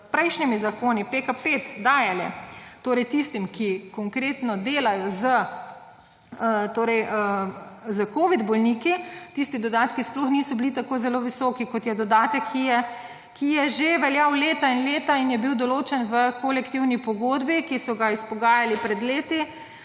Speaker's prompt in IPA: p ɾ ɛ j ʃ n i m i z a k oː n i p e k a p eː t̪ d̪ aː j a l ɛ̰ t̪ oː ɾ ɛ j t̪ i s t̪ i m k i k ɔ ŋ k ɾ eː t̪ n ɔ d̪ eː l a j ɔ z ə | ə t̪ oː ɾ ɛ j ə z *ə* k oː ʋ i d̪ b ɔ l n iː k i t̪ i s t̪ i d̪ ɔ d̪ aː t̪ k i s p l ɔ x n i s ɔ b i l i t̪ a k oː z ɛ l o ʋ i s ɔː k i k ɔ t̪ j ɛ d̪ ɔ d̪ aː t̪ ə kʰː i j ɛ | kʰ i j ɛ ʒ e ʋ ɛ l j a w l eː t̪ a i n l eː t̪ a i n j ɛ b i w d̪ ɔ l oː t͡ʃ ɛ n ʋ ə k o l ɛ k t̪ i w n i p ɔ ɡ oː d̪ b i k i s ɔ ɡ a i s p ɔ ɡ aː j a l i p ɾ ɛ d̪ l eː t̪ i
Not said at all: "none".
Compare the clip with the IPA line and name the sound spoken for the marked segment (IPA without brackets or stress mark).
ə